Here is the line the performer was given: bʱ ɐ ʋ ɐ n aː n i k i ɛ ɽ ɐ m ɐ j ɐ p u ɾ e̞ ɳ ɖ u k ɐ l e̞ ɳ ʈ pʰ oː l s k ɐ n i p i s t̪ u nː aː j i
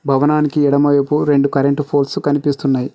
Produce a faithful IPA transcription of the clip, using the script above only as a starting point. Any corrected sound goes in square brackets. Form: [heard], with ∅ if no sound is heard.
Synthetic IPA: bʱ ɐ ʋ ɐ n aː n i k i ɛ ɽ ɐ m ɐ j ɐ p u ɾ e̞ ɳ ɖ u k ɐ [ɾ] e̞ ɳ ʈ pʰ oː l s k ɐ n i p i s t̪ u nː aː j i